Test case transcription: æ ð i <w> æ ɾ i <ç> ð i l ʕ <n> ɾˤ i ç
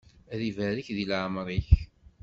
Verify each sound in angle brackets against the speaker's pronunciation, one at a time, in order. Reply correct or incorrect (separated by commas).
incorrect, correct, incorrect